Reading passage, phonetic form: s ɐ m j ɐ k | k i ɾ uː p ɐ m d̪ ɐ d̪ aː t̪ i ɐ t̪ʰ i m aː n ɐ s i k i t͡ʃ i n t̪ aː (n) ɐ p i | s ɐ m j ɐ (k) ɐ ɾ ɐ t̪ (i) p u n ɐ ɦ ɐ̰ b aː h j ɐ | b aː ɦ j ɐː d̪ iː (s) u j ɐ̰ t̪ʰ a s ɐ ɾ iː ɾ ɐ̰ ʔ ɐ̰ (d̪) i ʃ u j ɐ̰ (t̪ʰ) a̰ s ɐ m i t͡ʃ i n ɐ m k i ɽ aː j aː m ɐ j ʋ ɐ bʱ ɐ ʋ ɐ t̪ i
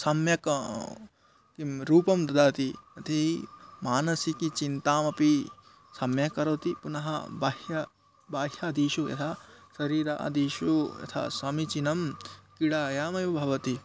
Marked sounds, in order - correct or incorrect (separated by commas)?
incorrect, correct, correct, incorrect, correct, correct